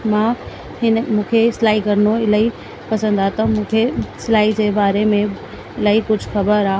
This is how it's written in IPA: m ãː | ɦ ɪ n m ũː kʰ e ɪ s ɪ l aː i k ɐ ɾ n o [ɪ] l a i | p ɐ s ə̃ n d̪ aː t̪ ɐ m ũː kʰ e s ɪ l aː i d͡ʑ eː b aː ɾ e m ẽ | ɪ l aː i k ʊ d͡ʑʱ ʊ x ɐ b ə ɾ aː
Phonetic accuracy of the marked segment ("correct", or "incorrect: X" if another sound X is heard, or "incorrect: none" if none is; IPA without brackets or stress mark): correct